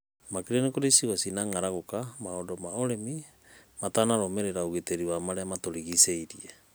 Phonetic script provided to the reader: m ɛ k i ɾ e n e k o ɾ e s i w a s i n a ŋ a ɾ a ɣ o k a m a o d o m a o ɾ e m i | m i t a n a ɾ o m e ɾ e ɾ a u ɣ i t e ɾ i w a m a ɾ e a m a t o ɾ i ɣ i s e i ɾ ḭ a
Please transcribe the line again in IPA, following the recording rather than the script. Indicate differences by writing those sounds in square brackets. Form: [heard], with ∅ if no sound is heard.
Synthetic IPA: m [a] k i ɾ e n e k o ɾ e s i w a s i n a ŋ a ɾ a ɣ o k a m a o d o m a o ɾ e m i | m [a] t a n a ɾ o m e ɾ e ɾ a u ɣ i t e ɾ i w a m a ɾ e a m a t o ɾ i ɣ i s e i ɾ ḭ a